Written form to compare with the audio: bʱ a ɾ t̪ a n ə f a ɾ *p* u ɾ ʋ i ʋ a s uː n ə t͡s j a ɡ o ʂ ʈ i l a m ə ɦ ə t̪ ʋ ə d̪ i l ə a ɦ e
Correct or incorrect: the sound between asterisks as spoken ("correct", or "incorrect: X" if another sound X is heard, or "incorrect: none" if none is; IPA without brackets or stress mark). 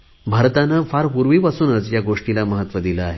correct